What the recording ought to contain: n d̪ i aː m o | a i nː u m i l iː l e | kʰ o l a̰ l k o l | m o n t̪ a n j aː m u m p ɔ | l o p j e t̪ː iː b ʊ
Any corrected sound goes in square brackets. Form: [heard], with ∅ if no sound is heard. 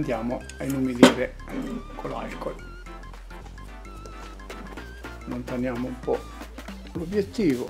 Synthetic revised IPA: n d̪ [j] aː m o | a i [n] u m i l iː [ɾ] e | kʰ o l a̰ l k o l | [n] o n t̪ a n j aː m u m p ɔ | l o [b] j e t̪ː iː [v] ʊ